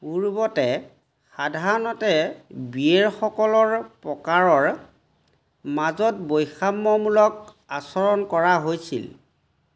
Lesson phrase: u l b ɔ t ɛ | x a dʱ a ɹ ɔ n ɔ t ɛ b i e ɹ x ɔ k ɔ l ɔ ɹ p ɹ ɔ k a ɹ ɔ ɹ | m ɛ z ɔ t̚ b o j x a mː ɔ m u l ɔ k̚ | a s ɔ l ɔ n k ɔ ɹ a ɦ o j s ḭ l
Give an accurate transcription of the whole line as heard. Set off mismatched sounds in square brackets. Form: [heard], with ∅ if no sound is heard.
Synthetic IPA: u [ɹ] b ɔ t ɛ | x a dʱ a ɹ ɔ n ɔ t ɛ b i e ɹ x ɔ k ɔ l ɔ ɹ p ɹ ɔ k a ɹ ɔ ɹ | m [a] z ɔ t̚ b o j x a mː ɔ m u l ɔ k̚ | a s ɔ [ɹ] ɔ n k ɔ ɹ a ɦ o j s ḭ l

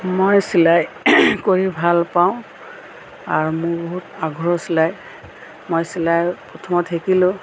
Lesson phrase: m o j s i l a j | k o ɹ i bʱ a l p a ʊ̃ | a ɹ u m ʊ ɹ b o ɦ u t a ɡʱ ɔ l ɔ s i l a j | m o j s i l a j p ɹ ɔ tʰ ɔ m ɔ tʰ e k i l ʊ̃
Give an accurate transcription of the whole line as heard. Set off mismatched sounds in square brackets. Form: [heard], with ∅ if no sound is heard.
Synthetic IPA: m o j s i l a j | k o ɹ i bʱ a l p a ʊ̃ | a ɹ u m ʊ ɹ b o ɦ u t a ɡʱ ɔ [ɹ] ɔ s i l a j | m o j s i l a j p ɹ ɔ tʰ ɔ m ɔ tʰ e k i l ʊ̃

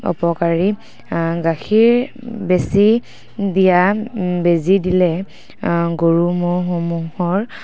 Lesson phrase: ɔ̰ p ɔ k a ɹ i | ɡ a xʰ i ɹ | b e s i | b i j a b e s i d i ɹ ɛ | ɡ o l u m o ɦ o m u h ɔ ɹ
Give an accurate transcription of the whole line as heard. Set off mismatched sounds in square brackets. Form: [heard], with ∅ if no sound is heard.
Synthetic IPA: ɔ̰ p ɔ k a ɹ i | ɡ a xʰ i ɹ | b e s i | [d] i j a b e [z] i d i [l] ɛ | ɡ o [ɹ] u m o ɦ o m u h ɔ ɹ

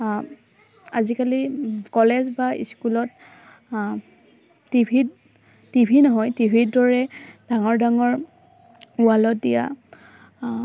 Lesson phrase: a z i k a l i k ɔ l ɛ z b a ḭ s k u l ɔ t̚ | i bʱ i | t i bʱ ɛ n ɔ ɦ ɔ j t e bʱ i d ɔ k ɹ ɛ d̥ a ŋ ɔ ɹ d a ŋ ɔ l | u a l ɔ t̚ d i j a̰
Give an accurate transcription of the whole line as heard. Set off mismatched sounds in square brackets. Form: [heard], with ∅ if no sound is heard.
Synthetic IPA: a z i k a l i k ɔ l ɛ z b a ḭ s k u l ɔ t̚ | i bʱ i | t i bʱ [i] n ɔ ɦ ɔ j t [i] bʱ i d ɔ [∅] ɹ ɛ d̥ a ŋ ɔ ɹ d a ŋ ɔ [ɹ] | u a l ɔ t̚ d i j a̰

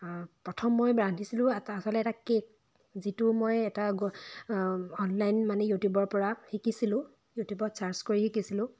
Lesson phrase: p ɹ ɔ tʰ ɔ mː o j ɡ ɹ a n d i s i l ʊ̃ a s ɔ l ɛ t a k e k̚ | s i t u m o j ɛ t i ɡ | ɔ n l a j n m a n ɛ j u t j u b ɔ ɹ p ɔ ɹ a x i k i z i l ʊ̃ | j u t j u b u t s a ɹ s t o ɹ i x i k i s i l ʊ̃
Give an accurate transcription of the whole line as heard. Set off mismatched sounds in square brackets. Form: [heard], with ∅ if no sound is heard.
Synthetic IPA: p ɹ ɔ tʰ ɔ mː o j [b] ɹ a n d i s i l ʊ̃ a s ɔ l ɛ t a k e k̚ | [z] i t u m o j ɛ t [a] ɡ | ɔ n l a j n m a n ɛ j u t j u b ɔ ɹ p ɔ ɹ a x i k i [s] i l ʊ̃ | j u t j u b [ɔ] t s a ɹ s [k] o ɹ i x i k i s i l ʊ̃

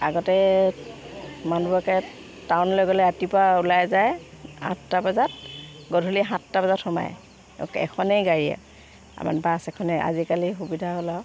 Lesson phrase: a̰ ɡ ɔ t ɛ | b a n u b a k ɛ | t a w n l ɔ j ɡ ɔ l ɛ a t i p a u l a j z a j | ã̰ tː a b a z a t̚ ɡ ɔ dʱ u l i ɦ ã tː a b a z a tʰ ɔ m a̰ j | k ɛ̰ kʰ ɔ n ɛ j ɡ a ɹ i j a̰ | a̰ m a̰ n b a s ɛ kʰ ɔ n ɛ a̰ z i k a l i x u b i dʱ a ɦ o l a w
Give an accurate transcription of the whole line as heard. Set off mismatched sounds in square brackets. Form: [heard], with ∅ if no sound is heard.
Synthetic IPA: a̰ ɡ ɔ t ɛ | [m] a n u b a k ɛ | t a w n l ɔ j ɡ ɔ l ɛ a t i p a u l a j z a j | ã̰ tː a b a z a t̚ ɡ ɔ dʱ u l i ɦ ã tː a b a z a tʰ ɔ m a̰ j | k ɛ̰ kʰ ɔ n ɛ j ɡ a ɹ i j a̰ | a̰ m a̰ n b a s ɛ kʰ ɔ n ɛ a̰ z i k a l i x u b i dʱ a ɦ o l a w

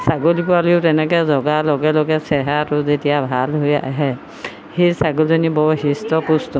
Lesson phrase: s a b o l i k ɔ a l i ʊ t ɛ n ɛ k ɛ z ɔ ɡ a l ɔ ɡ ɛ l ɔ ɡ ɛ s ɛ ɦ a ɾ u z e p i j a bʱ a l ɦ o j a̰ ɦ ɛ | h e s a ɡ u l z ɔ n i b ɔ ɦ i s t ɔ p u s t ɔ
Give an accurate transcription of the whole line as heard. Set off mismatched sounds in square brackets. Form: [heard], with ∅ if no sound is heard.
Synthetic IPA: s a [ɡ] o l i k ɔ a l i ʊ t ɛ n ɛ k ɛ z ɔ ɡ a l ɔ ɡ ɛ l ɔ ɡ ɛ s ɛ ɦ a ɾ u z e [t] i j a bʱ a l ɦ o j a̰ ɦ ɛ | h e s a ɡ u l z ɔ n i b ɔ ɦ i s t ɔ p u s t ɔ

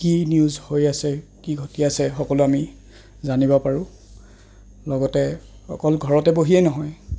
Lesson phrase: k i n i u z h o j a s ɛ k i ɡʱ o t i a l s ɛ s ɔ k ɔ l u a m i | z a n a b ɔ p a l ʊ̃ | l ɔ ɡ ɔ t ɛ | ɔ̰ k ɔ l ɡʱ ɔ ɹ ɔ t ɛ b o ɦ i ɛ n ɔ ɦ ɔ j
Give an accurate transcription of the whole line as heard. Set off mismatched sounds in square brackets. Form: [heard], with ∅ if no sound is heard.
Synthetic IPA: k i n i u z h o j a s ɛ k i ɡʱ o t i a [∅] s ɛ [x] ɔ k ɔ l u a m i | z a n [i] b ɔ p a [ɹ] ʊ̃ | l ɔ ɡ ɔ t ɛ | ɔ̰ k ɔ l ɡʱ ɔ ɹ ɔ t ɛ b o ɦ i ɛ n ɔ ɦ ɔ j

